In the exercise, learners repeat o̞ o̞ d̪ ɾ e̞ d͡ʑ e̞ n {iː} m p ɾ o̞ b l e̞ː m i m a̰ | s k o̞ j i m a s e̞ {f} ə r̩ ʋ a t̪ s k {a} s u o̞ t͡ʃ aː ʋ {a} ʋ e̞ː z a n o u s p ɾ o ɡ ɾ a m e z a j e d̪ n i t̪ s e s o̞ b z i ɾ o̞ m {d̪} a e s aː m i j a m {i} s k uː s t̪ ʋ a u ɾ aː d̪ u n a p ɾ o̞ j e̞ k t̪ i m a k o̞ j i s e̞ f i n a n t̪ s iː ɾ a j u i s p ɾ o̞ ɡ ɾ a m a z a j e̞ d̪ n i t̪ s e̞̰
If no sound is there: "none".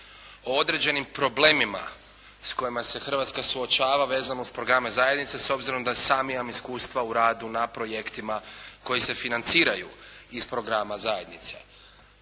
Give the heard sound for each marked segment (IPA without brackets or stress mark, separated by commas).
i, x, a, a, d̪, i